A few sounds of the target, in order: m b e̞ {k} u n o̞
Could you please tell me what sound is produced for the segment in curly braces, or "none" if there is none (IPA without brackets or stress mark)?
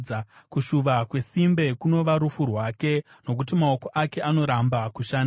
k